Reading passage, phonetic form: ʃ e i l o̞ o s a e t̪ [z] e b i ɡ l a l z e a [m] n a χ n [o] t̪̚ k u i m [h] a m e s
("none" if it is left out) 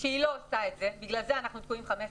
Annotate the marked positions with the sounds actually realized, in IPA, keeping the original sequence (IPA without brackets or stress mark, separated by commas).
z, none, u, χ